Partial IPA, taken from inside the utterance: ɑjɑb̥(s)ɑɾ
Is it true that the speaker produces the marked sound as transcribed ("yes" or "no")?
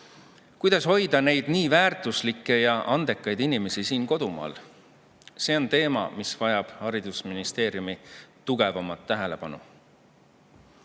no